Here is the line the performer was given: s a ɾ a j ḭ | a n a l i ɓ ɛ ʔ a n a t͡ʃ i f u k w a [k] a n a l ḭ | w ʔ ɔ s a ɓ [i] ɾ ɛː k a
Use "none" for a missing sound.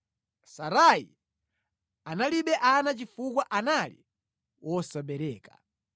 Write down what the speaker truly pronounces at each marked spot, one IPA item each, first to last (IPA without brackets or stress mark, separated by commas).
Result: ʔ, ɛ